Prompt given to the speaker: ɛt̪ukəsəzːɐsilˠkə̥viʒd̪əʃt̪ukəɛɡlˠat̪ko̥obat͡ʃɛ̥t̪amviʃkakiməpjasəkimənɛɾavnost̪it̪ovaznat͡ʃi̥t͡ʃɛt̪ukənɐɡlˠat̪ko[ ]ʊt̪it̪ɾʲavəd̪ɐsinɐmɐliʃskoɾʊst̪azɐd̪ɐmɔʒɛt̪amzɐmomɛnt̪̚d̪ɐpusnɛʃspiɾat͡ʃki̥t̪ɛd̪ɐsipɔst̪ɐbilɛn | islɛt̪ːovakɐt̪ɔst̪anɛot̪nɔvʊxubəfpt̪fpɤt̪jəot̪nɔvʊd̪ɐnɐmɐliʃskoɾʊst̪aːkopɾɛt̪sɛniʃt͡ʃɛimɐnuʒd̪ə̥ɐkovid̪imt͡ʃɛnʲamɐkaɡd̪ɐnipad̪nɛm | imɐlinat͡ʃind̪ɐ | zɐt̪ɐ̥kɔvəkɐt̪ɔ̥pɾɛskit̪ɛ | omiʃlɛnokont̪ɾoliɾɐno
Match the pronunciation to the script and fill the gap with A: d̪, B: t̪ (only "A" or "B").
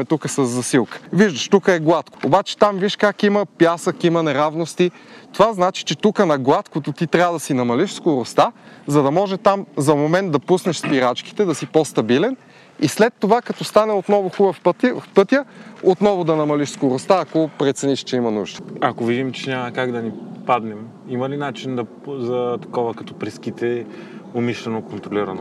B